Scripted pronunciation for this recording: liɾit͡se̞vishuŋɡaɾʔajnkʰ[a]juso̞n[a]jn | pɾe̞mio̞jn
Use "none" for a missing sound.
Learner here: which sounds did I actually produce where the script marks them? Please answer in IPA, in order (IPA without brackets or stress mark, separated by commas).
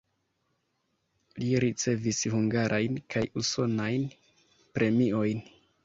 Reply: a, a